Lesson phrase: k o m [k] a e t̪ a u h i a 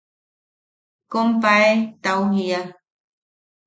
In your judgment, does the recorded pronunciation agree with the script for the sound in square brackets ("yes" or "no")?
no